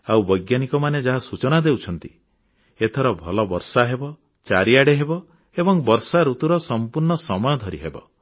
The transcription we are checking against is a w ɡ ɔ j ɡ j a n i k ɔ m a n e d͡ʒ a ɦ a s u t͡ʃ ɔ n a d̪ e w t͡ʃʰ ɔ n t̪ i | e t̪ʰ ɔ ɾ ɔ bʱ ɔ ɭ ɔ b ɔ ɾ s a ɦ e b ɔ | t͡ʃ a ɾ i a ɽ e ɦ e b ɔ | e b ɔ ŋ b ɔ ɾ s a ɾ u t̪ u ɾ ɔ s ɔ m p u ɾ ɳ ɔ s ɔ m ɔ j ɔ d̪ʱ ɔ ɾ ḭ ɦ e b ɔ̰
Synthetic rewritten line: a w b ɔ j ɡ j a n i k ɔ m a n e d͡ʒ a ɦ a s u t͡ʃ ɔ n a d̪ e w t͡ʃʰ ɔ n t̪ i | e t̪ʰ ɔ ɾ ɔ bʱ ɔ l ɔ b ɔ ɾ s a ɦ e b ɔ | t͡ʃ a ɾ i a ɽ e ɦ e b ɔ | e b ɔ ŋ b ɔ ɾ s a ɾ u t̪ u ɾ ɔ s ɔ m p u ɾ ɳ ɔ s ɔ m ɔ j ɔ d̪ʱ ɔ ɾ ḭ ɦ e b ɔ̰